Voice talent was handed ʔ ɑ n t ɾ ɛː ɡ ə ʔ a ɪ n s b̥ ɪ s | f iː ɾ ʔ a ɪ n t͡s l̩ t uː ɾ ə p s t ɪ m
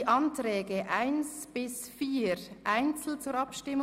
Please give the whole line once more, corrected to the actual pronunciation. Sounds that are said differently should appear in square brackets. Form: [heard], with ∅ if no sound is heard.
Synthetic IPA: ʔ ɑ n t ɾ ɛː ɡ ə ʔ a ɪ n s b̥ ɪ s | f iː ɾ ʔ a ɪ n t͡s l̩ [t͡s] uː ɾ [ɑ] p [ʃ] t ɪ m